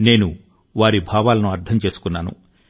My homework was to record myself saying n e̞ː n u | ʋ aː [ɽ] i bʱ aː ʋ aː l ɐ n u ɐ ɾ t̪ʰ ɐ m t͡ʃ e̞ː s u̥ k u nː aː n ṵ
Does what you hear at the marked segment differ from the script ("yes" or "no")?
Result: yes